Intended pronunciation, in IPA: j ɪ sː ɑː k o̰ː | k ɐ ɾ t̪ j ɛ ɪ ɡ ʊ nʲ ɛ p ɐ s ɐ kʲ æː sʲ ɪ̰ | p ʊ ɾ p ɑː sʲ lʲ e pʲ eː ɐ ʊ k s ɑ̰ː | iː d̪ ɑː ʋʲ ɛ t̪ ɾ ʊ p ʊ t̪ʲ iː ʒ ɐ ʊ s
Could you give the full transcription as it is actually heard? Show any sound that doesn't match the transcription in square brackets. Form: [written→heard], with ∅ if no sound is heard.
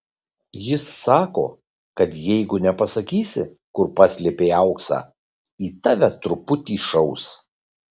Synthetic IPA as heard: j ɪ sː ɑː k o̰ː | k ɐ [ɾ→∅] t̪ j ɛ ɪ ɡ ʊ nʲ ɛ p ɐ s ɐ kʲ [æː→iː] sʲ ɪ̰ | [p→k] ʊ ɾ p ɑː sʲ lʲ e pʲ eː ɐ ʊ k s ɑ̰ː | iː [d̪→t̪] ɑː ʋʲ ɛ t̪ ɾ ʊ p ʊ t̪ʲ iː [ʒ→ʃ] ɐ ʊ s